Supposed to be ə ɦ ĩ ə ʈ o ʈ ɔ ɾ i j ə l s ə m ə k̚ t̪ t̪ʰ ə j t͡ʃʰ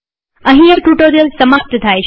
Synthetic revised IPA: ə ɦ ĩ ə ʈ u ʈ o ɾ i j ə l s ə m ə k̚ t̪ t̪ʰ a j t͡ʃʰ